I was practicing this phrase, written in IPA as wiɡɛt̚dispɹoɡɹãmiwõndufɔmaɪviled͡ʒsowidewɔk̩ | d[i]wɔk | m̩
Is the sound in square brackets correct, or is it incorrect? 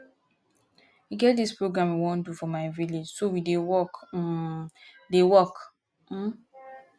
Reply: incorrect: e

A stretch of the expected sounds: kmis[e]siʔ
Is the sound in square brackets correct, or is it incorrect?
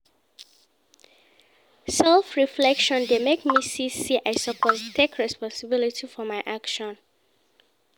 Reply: incorrect: i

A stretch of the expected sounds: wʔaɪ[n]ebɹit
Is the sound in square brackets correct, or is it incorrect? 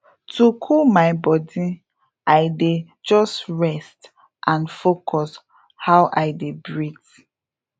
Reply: incorrect: d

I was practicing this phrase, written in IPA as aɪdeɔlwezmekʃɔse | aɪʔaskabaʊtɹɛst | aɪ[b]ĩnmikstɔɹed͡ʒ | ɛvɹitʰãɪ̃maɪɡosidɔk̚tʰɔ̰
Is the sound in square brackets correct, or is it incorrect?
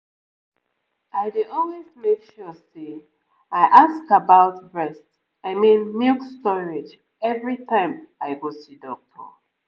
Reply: incorrect: m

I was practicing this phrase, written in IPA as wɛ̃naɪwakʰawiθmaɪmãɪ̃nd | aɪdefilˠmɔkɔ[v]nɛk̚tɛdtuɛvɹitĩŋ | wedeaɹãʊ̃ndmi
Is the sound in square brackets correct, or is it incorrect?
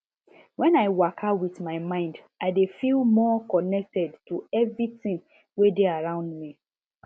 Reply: incorrect: none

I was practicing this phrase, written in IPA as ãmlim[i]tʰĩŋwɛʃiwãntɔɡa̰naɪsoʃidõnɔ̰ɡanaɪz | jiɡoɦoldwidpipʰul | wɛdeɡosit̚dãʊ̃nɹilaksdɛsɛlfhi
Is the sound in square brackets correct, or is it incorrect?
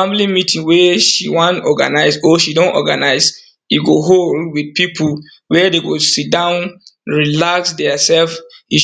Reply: correct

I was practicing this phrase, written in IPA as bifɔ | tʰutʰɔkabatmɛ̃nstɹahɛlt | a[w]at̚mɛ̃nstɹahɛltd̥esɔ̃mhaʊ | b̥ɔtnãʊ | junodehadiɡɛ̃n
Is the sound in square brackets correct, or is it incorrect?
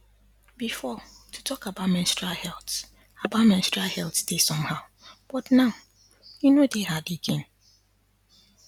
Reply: incorrect: b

